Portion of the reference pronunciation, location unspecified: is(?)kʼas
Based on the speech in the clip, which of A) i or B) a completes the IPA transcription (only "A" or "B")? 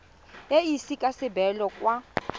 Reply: A